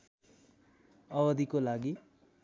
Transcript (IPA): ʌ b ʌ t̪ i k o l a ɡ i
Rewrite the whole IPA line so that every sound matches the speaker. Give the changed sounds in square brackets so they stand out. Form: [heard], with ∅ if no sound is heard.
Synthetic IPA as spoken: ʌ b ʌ [d̪] i k o l a ɡ i

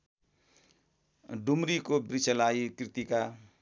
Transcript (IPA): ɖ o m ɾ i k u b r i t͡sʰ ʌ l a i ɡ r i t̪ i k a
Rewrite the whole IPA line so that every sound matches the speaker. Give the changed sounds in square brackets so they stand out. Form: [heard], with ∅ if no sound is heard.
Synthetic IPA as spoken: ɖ [u] m ɾ i k [o] b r i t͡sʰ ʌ l a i [k] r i t̪ i k a

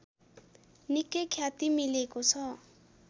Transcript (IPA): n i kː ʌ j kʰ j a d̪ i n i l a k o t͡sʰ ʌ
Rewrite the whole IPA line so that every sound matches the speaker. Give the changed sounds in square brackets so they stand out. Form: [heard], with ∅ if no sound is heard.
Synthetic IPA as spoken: n i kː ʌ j kʰ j a [t̪] i [m] i l [e] k o t͡sʰ ʌ

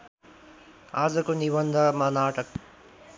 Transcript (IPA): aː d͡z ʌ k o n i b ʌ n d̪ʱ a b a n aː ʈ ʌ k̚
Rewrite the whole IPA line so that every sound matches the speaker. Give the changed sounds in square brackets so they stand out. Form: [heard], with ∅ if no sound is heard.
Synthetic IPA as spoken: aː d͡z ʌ k o n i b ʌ n d̪ʱ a [m] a n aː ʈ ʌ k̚

